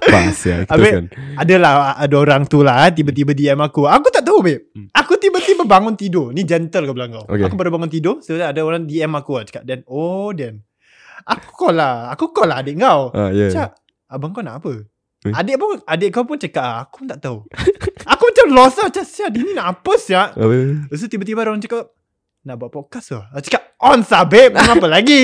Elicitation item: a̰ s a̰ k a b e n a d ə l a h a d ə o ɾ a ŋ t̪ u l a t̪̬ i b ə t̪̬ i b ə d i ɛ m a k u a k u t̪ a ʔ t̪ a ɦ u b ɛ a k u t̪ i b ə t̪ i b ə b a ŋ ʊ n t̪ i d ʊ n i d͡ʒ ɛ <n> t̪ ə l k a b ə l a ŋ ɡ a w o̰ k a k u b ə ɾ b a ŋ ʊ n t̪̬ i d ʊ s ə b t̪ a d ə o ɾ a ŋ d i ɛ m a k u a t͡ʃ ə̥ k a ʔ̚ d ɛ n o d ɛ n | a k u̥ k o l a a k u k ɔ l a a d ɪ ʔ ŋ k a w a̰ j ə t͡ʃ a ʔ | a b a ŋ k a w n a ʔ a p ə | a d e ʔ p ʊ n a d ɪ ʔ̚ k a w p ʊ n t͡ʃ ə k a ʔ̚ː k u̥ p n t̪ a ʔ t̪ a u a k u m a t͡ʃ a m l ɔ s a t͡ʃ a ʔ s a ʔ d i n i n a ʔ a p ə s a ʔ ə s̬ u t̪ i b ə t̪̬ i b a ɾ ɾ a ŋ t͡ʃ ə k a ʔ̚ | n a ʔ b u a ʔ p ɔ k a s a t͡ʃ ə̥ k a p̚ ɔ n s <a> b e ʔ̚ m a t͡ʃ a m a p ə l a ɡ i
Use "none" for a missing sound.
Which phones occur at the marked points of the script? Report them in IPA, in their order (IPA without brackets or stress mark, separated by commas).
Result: n, a